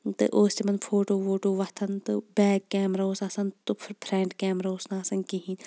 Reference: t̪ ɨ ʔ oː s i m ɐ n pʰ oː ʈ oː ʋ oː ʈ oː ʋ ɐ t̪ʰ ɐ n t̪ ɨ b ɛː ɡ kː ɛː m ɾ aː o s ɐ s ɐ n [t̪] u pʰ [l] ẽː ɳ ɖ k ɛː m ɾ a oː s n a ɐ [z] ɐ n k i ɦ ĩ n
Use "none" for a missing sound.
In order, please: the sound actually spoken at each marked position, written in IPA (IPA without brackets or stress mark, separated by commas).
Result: t̪, ɾ, s